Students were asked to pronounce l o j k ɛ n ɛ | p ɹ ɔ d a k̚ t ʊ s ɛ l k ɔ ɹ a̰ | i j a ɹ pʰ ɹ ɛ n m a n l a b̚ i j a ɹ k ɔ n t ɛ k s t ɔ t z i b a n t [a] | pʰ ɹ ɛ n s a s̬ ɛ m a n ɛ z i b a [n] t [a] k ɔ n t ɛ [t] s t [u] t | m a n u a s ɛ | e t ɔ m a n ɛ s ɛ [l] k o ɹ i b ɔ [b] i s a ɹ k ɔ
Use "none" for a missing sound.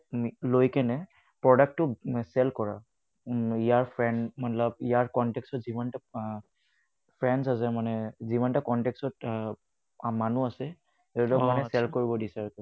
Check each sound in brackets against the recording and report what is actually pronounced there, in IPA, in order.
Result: a, n, a, k, ɔ, l, d

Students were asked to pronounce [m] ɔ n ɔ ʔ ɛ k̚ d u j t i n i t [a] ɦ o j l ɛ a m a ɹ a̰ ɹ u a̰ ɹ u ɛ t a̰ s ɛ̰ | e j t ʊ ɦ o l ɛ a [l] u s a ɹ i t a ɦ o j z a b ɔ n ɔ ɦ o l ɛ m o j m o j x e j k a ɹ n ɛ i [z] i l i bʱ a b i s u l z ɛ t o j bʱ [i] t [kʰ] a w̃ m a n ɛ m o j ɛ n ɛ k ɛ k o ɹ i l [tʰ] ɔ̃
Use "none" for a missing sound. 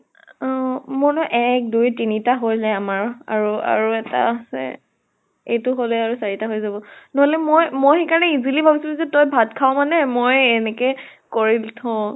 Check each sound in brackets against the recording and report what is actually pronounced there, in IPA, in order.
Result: m, a, ɹ, z, a, kʰ, tʰ

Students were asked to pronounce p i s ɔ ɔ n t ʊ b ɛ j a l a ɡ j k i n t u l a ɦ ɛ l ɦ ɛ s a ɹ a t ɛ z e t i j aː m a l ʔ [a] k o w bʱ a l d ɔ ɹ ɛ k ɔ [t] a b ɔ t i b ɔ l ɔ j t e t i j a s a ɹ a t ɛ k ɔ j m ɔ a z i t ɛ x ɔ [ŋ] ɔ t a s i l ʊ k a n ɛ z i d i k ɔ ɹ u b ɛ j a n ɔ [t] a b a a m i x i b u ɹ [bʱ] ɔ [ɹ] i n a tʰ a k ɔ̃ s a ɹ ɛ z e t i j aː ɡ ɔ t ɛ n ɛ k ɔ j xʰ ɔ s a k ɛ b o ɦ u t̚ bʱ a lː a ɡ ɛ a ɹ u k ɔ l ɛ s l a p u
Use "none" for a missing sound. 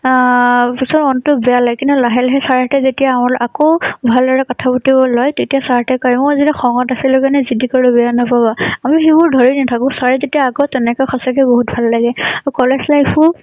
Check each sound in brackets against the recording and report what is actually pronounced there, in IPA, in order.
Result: a, tʰ, ŋ, p, dʱ, ɹ

